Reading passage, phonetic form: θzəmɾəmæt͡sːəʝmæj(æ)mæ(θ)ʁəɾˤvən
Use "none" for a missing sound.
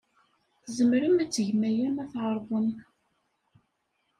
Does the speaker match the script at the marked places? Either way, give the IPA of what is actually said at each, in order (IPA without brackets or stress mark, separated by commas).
æ, θ